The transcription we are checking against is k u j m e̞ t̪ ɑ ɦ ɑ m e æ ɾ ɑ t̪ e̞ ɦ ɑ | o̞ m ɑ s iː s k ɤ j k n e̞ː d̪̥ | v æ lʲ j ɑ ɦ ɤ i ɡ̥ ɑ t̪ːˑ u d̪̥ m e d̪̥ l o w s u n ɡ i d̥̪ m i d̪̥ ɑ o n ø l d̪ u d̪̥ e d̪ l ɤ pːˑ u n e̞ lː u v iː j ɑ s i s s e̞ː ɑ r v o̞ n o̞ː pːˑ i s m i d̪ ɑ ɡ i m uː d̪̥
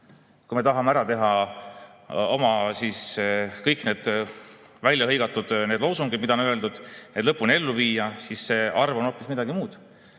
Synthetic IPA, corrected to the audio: k u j m e̞ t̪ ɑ ɦ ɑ m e æ ɾ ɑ t̪ e̞ ɦ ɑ | o̞ m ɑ s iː s k ɤ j k n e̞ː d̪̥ | v æ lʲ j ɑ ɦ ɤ j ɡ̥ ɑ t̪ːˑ u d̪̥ n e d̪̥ l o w s u ŋ ɡ i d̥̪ m i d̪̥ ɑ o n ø l d̪ u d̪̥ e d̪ l ɤ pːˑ u n e̞ lː u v iː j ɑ s i s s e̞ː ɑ r v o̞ n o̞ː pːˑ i s m i d̪ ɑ ɡ i m uː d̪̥